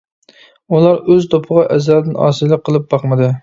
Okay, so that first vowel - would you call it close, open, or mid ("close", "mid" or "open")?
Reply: close